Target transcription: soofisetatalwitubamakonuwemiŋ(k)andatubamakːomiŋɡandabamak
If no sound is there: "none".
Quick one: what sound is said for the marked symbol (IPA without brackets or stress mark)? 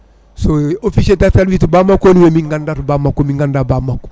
ɡ